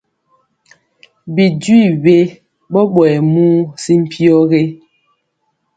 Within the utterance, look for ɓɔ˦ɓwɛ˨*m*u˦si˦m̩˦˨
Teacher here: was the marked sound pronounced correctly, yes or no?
yes